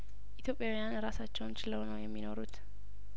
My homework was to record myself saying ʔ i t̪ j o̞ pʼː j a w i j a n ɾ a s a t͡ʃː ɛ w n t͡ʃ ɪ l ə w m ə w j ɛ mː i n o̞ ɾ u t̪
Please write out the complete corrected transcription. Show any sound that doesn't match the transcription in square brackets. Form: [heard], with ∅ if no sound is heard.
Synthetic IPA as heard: ʔ i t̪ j o̞ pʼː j a w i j a n ɾ a s a t͡ʃː ɛ w n t͡ʃ ɪ l ə w [n] ə w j ɛ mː i n o̞ ɾ u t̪